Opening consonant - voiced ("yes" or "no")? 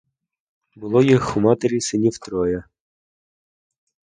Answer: yes